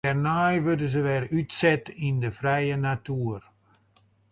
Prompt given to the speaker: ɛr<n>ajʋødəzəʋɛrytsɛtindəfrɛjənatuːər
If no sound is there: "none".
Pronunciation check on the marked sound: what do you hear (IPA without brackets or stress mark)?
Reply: n